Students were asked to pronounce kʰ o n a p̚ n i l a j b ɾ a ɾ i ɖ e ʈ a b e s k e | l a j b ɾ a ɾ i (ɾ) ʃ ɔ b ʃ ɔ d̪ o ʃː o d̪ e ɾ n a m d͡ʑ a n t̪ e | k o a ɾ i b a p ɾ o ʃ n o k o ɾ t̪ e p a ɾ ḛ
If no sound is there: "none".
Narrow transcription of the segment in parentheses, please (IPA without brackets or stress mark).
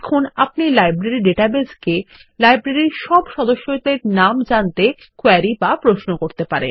ɾ